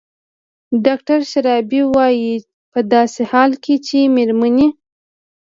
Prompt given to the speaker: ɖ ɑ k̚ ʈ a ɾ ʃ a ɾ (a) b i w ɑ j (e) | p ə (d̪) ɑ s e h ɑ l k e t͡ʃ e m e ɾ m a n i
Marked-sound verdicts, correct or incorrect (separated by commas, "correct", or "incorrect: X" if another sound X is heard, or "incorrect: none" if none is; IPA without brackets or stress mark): incorrect: ɑ, incorrect: i, correct